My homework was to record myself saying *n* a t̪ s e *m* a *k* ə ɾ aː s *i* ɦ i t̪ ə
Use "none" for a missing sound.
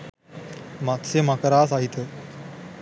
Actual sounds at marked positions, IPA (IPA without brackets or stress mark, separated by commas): m, m, k, a